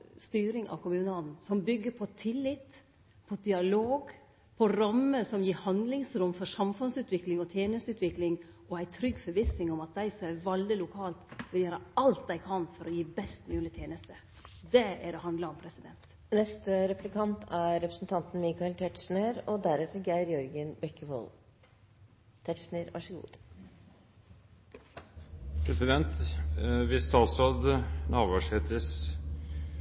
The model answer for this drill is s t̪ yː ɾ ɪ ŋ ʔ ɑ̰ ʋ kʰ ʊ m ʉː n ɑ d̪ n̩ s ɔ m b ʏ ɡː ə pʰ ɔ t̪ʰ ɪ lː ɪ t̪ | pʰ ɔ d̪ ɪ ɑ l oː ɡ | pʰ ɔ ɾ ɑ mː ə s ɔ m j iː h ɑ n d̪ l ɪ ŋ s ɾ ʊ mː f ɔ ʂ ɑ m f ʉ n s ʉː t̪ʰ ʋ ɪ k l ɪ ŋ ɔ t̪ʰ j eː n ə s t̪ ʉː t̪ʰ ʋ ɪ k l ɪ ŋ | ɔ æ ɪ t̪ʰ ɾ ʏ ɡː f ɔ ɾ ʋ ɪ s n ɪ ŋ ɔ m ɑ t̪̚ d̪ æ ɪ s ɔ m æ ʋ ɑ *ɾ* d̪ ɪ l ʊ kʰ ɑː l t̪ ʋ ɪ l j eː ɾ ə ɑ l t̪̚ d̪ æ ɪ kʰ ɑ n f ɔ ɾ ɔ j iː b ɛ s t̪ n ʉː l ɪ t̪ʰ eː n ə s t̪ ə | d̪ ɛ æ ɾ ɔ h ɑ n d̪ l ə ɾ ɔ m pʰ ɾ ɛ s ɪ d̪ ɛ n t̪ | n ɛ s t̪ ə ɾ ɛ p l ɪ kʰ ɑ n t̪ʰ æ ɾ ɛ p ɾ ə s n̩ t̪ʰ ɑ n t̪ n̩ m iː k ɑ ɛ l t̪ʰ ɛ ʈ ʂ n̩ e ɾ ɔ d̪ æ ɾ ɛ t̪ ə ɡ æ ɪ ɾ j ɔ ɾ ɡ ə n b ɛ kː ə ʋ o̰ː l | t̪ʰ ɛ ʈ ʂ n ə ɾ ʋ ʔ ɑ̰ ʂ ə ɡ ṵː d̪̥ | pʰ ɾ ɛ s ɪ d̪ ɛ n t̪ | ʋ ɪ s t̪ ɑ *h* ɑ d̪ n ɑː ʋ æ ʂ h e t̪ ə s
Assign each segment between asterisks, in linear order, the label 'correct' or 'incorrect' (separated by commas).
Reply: incorrect, incorrect